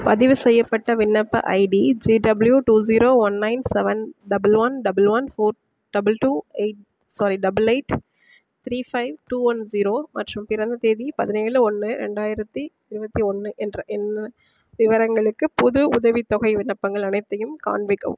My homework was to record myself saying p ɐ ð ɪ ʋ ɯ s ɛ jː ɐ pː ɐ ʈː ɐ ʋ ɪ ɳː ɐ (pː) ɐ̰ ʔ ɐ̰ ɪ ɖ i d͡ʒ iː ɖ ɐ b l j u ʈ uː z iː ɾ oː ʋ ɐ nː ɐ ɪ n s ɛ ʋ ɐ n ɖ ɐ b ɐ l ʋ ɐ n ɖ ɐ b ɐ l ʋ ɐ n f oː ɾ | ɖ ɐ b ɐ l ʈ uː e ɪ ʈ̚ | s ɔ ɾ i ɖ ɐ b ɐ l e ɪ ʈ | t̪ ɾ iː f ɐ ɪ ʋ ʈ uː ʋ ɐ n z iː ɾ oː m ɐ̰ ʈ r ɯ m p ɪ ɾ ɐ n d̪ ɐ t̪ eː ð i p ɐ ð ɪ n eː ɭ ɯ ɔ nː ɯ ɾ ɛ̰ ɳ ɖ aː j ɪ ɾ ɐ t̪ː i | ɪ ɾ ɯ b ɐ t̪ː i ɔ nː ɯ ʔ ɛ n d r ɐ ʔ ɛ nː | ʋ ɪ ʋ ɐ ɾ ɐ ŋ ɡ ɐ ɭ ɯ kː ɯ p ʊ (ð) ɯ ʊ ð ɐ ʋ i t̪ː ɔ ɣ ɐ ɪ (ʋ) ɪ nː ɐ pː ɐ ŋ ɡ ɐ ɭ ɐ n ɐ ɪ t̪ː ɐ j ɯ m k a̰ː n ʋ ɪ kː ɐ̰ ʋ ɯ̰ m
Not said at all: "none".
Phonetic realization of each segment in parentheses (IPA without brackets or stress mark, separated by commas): pː, ð, ʋ